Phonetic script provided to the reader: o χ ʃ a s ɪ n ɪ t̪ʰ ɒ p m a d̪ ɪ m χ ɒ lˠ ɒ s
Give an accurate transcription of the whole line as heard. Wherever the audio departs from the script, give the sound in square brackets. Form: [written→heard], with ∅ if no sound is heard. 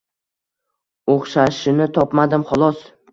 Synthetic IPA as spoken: o χ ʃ a [s→ʃ] ɪ n ɪ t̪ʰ ɒ p m a d̪ ɪ m χ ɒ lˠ ɒ s

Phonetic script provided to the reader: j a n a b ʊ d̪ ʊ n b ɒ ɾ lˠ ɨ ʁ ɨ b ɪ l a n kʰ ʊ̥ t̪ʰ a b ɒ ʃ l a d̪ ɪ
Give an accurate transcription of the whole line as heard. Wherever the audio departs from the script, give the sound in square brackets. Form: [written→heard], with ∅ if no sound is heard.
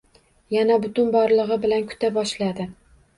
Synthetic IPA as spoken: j a n a b ʊ [d̪→t̪] ʊ n b ɒ ɾ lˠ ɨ ʁ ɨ b ɪ l a n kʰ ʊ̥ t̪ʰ a b ɒ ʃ l a d̪ ɪ

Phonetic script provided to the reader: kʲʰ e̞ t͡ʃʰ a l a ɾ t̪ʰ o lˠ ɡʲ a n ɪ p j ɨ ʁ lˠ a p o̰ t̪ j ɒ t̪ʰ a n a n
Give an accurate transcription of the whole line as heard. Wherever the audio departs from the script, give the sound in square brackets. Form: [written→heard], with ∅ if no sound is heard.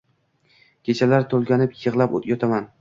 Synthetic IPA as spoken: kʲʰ e̞ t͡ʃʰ a l a ɾ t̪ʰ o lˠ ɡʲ a n ɪ p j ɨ ʁ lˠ a p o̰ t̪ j ɒ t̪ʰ a [n→m] a n

